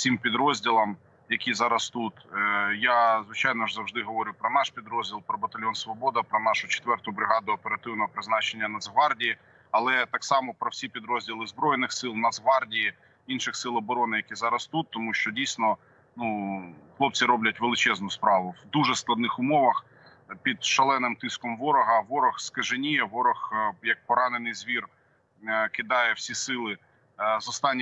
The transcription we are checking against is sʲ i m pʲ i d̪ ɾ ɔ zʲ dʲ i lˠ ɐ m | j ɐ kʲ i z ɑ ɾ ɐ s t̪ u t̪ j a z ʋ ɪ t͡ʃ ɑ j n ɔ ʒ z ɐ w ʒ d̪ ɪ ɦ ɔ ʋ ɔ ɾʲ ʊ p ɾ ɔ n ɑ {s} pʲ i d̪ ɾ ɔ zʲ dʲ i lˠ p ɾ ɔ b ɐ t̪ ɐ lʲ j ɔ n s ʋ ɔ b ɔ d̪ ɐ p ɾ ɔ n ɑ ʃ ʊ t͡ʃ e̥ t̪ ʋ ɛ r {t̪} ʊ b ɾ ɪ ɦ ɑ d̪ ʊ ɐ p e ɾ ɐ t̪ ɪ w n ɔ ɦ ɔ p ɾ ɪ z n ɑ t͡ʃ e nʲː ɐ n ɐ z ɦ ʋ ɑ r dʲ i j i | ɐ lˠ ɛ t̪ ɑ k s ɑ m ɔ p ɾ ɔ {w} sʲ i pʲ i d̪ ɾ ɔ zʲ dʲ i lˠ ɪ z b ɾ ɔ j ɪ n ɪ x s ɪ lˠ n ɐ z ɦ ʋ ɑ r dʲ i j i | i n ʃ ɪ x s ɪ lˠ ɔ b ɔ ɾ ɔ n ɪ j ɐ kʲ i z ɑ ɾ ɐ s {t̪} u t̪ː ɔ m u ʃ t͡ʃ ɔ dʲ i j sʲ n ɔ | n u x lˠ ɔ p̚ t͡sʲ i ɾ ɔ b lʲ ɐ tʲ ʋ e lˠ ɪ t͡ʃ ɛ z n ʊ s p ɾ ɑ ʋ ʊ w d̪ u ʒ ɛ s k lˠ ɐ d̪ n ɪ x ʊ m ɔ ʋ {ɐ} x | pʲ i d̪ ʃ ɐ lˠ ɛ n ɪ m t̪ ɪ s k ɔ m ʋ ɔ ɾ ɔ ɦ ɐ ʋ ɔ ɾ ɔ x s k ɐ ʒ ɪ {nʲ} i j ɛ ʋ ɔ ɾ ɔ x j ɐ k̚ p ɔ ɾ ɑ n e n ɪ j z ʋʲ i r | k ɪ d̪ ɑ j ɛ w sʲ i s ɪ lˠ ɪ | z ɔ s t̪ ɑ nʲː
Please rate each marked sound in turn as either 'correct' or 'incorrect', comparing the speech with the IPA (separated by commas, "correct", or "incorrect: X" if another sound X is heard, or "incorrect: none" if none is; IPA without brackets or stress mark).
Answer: incorrect: ʃ, correct, correct, correct, correct, correct